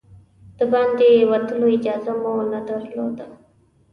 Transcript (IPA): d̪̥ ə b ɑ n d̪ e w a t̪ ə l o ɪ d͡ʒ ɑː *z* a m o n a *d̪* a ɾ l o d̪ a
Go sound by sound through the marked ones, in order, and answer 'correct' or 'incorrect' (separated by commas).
correct, correct